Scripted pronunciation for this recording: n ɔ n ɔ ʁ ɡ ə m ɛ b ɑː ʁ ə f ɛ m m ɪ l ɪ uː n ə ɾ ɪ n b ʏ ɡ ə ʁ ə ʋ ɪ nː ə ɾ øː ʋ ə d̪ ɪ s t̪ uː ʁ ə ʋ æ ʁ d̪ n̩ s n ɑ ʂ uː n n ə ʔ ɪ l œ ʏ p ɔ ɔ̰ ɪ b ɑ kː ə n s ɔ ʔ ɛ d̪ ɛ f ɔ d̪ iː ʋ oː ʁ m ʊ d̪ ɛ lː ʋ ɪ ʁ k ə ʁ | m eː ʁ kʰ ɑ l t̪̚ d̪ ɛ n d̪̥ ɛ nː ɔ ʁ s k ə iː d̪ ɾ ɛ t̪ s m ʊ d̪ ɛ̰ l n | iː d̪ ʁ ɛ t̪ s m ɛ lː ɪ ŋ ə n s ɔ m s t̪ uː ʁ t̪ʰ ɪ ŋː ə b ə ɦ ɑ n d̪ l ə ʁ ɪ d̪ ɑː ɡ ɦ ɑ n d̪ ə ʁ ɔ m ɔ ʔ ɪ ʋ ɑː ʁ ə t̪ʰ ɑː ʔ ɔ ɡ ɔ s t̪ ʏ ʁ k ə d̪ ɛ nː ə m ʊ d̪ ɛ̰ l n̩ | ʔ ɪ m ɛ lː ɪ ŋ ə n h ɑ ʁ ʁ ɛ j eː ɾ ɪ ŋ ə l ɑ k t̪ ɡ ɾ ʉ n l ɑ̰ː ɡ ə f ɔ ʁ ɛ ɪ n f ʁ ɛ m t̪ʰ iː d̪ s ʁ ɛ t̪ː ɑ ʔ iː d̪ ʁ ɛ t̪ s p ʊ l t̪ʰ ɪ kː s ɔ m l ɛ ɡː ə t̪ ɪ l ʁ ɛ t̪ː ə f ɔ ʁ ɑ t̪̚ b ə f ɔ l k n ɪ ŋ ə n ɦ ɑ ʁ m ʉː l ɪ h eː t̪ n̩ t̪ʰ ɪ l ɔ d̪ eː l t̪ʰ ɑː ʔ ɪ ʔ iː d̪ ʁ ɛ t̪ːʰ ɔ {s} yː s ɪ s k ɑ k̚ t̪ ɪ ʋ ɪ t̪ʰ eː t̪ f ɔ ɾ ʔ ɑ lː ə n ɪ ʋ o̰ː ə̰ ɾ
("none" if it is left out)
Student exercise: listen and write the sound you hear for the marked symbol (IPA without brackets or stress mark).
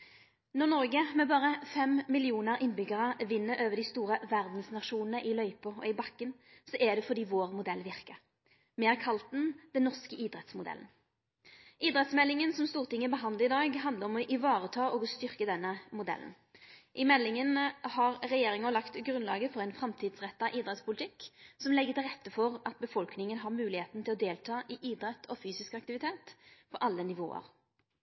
f